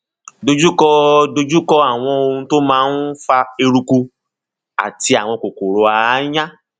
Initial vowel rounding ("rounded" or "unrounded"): rounded